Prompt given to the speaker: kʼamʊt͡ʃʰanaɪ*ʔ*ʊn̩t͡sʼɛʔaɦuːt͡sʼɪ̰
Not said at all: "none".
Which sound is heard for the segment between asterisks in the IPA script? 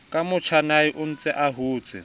ʔ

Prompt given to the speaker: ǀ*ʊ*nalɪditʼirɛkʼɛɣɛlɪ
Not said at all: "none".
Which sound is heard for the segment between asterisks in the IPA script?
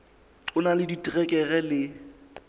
ʊ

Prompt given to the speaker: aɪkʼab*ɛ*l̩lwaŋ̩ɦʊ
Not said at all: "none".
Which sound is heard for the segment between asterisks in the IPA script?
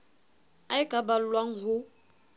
a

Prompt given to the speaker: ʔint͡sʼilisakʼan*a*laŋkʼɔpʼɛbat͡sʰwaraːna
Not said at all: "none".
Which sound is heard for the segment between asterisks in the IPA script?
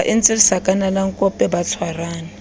a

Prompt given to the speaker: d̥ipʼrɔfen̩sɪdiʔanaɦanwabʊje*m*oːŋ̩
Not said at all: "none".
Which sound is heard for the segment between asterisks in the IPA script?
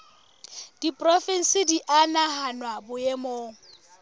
m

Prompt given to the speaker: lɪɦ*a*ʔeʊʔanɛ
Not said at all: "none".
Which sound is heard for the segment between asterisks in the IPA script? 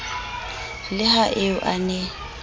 a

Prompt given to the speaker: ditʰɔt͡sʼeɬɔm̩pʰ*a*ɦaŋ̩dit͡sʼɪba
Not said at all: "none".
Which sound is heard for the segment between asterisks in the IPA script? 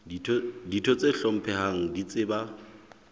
ɛ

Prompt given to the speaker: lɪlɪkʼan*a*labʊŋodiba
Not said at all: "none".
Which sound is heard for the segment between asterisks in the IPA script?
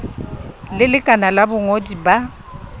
a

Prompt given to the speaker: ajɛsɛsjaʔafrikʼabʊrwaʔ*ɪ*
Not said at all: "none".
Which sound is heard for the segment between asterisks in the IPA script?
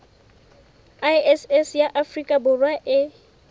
ɪ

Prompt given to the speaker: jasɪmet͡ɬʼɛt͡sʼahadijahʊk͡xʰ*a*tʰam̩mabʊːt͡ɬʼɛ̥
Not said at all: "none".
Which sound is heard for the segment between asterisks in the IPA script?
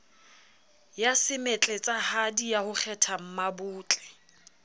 ɛ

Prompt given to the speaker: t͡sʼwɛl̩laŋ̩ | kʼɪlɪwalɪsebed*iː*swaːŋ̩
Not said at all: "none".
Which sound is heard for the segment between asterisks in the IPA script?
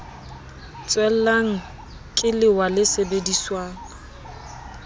i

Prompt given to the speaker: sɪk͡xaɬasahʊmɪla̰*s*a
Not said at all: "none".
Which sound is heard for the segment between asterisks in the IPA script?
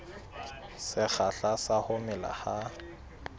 h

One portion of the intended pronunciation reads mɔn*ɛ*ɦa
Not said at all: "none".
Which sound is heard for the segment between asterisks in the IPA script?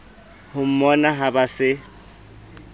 a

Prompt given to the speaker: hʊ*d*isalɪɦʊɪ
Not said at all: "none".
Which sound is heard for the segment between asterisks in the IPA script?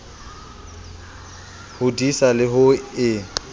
d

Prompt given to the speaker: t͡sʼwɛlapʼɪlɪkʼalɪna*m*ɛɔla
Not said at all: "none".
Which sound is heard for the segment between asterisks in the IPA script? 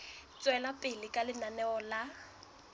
n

